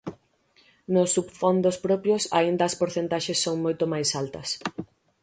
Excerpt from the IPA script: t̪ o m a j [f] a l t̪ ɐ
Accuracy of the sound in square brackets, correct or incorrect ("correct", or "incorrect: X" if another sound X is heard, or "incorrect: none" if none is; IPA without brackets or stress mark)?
incorrect: s